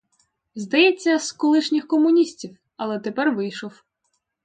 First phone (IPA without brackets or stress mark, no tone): z